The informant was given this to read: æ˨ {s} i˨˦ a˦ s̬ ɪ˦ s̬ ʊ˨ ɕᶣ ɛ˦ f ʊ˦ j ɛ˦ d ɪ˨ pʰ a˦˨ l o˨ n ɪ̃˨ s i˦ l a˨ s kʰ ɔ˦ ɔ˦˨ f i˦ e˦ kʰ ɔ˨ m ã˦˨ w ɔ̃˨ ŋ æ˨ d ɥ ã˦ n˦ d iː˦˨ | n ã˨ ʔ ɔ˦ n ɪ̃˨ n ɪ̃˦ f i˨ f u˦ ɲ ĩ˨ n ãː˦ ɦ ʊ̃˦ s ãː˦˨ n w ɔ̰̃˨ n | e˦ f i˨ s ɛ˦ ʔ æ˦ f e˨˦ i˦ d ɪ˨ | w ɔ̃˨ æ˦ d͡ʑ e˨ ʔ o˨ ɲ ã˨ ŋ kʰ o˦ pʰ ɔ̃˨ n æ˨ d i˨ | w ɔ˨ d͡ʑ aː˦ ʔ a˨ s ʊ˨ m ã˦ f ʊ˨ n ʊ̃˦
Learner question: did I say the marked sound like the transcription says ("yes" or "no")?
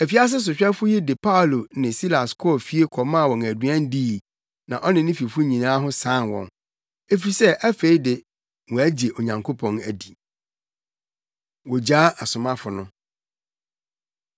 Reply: no